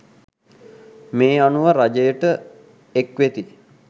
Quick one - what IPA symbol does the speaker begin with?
m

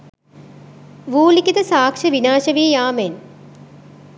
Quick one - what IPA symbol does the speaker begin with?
ʋ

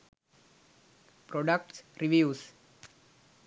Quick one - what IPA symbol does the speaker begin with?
p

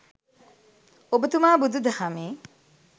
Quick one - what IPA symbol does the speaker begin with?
o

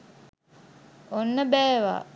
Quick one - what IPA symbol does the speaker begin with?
o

